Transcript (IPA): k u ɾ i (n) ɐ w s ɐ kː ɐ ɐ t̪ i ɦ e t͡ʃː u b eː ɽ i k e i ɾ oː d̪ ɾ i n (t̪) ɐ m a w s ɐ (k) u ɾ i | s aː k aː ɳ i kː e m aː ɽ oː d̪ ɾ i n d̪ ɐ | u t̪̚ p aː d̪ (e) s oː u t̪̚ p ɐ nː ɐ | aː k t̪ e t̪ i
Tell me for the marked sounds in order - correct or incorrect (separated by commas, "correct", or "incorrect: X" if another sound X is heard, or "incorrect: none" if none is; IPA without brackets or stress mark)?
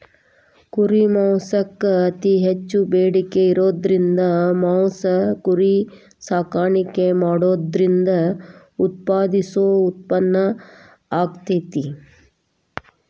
incorrect: m, incorrect: d̪, correct, incorrect: i